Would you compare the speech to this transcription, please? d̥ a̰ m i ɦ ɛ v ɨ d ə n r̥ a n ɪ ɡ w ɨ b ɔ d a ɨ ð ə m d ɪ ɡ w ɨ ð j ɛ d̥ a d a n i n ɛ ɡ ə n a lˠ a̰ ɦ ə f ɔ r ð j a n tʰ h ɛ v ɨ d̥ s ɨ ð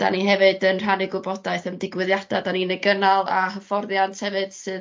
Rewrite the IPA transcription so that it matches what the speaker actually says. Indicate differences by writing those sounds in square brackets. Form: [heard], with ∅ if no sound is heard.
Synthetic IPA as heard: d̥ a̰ [n] i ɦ ɛ v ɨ d ə n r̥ a n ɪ ɡ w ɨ b ɔ d a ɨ [θ] ə m d ɪ ɡ w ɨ ð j [a] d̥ a d a n i n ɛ ɡ ə n a lˠ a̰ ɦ ə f ɔ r ð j a n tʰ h ɛ v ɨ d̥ s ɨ ð